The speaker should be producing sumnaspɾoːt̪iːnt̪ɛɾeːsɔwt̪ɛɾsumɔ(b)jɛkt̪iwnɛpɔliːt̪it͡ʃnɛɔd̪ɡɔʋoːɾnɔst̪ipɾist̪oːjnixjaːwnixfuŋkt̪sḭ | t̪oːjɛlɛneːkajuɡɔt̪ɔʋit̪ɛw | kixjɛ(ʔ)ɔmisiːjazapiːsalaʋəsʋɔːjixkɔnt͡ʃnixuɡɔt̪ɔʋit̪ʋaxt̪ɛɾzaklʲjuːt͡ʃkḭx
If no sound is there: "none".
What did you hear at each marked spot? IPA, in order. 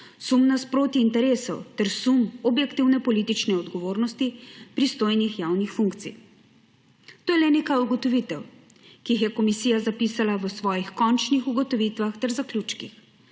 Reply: b, k

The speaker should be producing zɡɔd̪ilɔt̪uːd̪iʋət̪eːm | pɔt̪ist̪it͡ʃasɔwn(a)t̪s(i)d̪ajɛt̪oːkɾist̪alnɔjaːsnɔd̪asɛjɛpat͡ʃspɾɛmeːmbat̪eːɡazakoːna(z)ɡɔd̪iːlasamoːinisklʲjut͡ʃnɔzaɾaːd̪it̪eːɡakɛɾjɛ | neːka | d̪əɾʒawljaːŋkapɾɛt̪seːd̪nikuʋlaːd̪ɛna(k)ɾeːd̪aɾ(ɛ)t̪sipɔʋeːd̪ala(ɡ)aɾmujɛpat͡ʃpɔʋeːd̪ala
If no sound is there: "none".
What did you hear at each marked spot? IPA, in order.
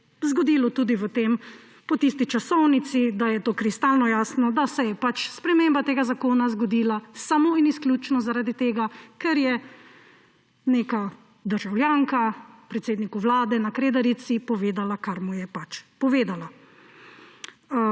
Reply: i, i, z, k, i, k

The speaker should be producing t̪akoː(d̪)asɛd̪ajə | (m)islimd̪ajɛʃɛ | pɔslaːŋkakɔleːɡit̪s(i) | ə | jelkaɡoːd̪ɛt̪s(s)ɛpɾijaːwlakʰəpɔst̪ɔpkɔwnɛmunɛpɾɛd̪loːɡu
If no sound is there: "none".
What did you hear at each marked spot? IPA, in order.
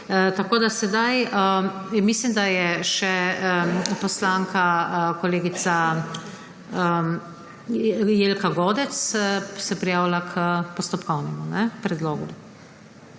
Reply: d̪, m, a, s

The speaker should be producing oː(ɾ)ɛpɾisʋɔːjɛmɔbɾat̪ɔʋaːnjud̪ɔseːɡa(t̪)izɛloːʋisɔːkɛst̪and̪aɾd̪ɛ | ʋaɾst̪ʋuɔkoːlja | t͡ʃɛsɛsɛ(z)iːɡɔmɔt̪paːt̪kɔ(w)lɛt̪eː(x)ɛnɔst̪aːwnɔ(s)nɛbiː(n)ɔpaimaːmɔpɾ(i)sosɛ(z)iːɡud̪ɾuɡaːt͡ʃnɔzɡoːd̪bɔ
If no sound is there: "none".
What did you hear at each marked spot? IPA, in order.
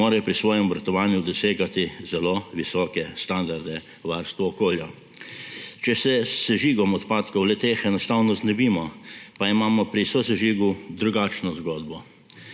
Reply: ɾ, t̪, ʒ, w, x, z, m, i, ʒ

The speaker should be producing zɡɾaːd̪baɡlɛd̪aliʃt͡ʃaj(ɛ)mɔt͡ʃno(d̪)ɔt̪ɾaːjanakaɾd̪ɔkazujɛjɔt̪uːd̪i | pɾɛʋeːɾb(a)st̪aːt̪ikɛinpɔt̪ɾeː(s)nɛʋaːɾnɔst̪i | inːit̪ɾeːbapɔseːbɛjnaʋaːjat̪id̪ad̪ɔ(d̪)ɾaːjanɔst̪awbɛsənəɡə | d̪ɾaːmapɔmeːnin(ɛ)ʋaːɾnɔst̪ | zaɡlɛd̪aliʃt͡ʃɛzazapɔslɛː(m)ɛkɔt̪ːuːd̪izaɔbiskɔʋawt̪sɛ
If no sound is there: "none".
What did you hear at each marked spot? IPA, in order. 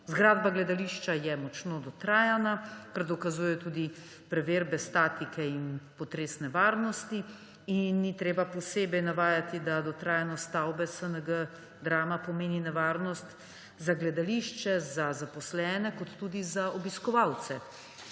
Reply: ɛ, d̪, ɛ, s, t̪, ɛ, n

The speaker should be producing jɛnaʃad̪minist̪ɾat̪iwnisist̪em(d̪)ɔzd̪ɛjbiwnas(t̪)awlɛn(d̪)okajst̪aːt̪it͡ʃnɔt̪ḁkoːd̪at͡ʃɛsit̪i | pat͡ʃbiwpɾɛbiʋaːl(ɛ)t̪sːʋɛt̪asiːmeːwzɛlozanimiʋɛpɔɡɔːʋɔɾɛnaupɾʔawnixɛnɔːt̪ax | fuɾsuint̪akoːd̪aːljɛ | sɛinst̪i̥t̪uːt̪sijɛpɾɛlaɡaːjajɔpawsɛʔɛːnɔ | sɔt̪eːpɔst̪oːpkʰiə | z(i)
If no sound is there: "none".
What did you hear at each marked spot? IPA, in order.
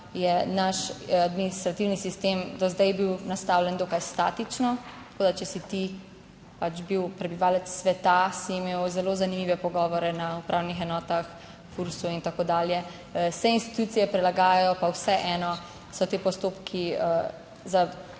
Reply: d̪, t̪, d̪, ɛ, a

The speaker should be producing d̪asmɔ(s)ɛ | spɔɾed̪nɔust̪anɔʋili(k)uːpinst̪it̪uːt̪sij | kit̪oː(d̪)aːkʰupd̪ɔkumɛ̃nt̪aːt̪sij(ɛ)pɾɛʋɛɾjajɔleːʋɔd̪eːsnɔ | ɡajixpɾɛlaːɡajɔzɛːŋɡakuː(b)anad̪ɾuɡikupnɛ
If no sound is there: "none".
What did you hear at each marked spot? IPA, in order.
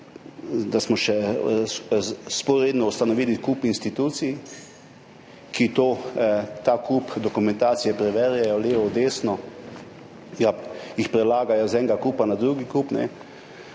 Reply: ʃ, k, t̪, ɛ, p

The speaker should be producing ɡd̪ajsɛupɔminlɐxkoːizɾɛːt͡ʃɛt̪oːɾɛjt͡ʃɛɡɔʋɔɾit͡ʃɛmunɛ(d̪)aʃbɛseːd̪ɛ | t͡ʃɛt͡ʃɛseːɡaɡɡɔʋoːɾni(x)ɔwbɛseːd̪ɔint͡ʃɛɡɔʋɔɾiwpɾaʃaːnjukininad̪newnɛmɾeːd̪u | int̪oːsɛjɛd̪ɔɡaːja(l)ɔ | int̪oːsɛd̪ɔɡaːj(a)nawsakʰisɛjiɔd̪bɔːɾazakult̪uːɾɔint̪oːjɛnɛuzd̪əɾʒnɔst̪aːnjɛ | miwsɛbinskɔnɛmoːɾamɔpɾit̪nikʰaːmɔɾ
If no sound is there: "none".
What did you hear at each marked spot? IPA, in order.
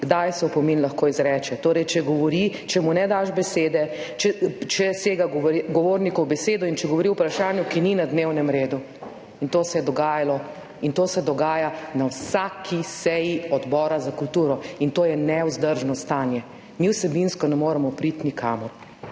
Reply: d̪, k, l, a

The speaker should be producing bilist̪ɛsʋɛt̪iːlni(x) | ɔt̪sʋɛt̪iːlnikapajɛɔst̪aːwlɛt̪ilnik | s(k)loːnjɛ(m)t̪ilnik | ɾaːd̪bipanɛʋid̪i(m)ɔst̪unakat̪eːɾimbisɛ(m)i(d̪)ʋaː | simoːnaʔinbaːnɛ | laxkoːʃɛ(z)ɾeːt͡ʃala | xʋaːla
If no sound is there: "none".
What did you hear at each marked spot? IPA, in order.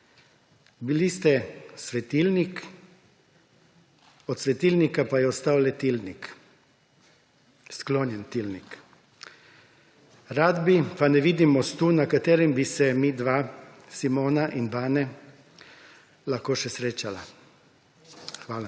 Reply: k, k, n, m, m, d̪, s

